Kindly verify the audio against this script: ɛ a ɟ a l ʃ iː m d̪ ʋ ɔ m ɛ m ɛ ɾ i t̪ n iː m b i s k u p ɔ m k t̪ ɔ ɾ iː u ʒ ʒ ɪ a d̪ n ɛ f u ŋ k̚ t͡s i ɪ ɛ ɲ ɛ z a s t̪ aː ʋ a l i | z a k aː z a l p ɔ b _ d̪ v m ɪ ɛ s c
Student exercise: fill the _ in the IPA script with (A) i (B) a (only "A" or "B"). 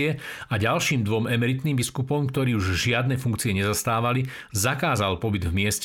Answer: A